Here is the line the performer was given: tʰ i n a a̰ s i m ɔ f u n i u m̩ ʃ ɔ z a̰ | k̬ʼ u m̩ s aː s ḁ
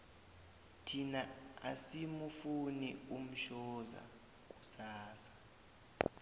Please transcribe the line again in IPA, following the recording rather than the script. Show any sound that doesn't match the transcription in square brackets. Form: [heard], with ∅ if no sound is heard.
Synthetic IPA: tʰ i n a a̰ s i m [u] f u n i u m̩ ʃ ɔ z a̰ | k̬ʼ u [∅] s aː s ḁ